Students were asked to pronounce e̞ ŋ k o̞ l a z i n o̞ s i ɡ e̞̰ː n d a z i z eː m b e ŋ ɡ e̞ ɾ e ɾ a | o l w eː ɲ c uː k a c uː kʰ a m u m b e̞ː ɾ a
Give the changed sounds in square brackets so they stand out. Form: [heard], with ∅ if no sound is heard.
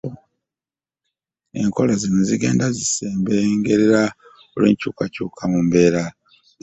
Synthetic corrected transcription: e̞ ŋ k o̞ l a z i n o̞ [z] i ɡ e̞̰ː n d a z i [s] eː m b e ŋ ɡ e̞ ɾ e ɾ a | o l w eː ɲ c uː k a c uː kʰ a m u m b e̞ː ɾ a